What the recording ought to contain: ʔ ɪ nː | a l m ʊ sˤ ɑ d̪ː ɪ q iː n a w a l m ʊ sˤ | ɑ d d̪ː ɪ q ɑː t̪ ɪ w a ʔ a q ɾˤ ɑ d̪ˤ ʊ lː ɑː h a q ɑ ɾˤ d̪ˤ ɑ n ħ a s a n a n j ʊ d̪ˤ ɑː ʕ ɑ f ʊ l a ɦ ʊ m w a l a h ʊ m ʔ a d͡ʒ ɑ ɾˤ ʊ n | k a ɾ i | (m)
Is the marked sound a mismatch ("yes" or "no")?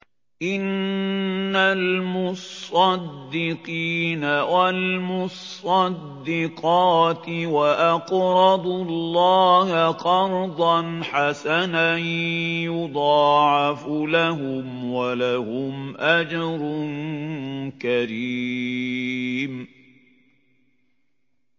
no